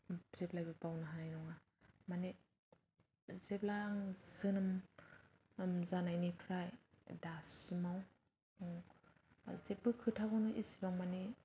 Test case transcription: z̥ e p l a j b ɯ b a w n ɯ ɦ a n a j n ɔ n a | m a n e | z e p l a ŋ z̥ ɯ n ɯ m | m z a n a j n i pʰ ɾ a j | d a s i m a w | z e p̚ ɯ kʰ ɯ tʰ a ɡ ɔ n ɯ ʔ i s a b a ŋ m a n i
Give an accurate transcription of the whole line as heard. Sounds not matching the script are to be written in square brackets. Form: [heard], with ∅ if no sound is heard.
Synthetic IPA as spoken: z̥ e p l a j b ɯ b a w n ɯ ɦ a n a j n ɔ [ŋ] a | m a n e | z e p l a ŋ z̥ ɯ n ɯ m | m z a n a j n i pʰ ɾ a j | d a s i m a w | z e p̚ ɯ kʰ ɯ tʰ a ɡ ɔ n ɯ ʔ i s [i] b a ŋ m a n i